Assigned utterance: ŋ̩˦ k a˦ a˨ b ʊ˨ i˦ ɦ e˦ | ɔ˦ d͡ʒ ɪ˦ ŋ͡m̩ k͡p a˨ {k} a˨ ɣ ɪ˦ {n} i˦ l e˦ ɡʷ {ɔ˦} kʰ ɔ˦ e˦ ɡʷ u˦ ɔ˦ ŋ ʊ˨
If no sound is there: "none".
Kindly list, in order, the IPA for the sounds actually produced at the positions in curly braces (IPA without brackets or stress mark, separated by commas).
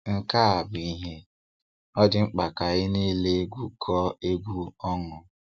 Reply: k, n, u˦